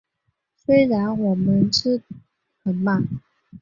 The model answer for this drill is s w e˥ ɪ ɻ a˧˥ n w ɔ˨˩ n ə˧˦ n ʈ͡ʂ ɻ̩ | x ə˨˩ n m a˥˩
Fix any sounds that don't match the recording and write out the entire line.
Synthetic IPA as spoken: s w e˥ ɪ ɻ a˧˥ n w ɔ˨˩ m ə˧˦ n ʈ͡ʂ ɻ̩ | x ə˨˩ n m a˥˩